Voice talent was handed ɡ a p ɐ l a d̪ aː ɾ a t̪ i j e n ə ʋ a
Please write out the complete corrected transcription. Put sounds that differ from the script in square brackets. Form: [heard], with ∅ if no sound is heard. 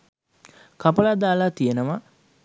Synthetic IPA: [k] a p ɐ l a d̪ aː [l] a t̪ i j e n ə ʋ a

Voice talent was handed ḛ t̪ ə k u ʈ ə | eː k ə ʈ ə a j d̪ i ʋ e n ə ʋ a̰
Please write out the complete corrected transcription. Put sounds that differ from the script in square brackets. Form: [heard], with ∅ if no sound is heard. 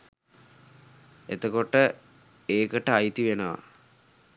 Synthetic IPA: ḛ t̪ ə k [o] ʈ ə | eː k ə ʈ ə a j [t̪] i ʋ e n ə ʋ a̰

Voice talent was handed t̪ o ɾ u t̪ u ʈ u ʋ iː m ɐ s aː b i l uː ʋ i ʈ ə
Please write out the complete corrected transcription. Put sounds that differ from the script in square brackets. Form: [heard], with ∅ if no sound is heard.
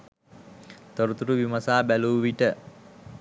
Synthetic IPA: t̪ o ɾ u t̪ u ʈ u ʋ [i] m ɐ s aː b [æ] l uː ʋ i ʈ ə

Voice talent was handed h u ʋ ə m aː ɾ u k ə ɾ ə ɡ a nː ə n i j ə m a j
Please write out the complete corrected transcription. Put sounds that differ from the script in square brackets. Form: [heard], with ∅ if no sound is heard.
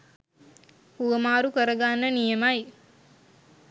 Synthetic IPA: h u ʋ ə m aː ɾ u k ə ɾ ə ɡ a nː ə n i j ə m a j

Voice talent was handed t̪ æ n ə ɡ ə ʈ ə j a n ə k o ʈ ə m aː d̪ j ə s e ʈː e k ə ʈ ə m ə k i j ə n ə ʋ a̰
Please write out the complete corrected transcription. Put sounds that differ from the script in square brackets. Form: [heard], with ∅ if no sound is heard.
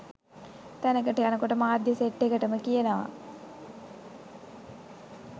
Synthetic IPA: t̪ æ n ə [k] ə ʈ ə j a n ə k o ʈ ə m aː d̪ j ə s e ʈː e k ə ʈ ə m ə k i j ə n ə ʋ a̰

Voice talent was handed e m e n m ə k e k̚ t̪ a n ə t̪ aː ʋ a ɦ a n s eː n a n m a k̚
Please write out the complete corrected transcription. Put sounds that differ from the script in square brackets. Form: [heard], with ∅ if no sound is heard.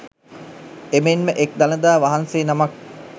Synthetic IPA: e m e n m ə [ʔ] e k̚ [d̪] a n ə [d̪] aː ʋ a ɦ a n s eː n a [∅] m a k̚

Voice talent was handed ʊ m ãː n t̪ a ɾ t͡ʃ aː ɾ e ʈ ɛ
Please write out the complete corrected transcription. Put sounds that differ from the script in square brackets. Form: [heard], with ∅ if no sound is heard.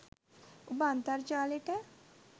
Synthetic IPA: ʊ [b] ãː n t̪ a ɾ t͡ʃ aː [l] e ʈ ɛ

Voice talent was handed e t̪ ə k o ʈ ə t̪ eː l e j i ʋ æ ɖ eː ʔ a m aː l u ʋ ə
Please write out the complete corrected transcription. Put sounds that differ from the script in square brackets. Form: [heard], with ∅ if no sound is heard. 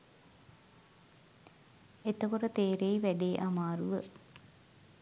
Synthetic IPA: e t̪ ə k o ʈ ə t̪ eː [ɾ] e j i ʋ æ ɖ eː ʔ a m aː [ɾ] u ʋ ə

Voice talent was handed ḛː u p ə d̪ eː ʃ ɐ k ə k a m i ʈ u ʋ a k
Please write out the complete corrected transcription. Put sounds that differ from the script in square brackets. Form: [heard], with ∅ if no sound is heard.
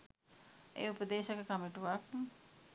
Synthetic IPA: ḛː u p ə d̪ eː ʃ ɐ k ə k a m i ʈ u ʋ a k

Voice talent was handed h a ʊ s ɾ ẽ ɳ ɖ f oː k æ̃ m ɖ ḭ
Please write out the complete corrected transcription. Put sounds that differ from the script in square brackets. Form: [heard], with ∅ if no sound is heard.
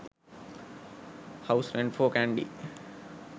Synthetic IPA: h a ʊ s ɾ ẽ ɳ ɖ f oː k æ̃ [ɳ] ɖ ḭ

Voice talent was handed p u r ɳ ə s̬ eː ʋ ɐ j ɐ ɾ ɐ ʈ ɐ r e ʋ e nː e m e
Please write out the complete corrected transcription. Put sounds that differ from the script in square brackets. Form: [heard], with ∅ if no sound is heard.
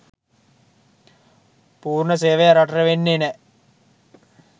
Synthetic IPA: p [uː] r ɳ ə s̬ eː ʋ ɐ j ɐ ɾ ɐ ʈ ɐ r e ʋ e nː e [n] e

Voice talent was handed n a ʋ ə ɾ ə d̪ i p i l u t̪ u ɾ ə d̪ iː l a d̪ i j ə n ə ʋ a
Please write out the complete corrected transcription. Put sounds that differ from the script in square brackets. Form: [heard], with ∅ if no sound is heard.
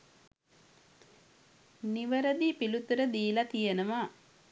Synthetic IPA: n [i] ʋ ə ɾ ə d̪ i p i l u t̪ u ɾ ə d̪ iː l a [t̪] i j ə n ə ʋ a

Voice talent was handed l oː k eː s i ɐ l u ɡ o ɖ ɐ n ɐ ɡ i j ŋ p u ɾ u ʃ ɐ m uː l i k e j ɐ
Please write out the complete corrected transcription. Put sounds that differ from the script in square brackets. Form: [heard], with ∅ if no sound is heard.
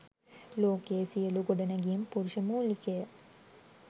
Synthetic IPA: l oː k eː s i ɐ l u ɡ o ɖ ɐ n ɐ ɡ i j [m] p u ɾ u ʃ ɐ m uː l i k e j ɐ

